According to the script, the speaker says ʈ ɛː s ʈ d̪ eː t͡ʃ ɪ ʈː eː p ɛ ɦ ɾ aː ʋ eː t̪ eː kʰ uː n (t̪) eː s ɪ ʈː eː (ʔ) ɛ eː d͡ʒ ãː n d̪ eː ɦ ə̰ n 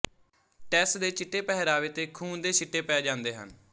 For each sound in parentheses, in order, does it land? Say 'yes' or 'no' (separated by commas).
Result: no, no